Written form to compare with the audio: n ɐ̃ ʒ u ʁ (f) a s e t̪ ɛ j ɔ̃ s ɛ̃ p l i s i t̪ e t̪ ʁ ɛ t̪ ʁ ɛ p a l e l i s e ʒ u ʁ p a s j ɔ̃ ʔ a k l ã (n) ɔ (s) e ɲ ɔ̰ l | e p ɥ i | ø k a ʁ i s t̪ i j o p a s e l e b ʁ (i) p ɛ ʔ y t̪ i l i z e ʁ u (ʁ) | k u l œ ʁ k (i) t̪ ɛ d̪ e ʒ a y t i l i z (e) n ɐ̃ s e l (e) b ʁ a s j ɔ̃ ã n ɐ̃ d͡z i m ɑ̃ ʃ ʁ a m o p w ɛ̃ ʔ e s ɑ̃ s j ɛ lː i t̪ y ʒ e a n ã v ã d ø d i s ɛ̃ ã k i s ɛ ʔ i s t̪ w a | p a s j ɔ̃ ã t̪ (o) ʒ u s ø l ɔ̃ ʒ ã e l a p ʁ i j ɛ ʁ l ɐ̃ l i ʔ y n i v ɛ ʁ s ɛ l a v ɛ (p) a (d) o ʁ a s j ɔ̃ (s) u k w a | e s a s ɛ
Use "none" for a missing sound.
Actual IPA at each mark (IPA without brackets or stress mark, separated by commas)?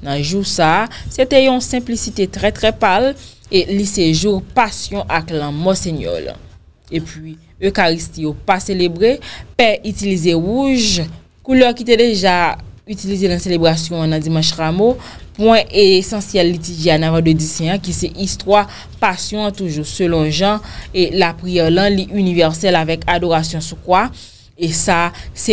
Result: s, m, s, e, ʒ, i, e, e, u, k, d, s